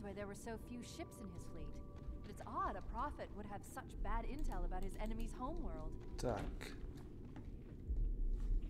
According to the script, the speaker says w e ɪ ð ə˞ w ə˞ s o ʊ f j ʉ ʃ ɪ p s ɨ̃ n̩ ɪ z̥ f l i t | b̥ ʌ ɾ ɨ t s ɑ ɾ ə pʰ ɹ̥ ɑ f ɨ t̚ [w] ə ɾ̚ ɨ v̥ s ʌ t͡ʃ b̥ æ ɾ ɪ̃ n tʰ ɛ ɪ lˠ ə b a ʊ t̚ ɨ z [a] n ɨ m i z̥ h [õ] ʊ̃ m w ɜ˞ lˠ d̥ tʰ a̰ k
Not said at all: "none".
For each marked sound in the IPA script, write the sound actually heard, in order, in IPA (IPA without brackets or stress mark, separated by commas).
w, ɛ, õ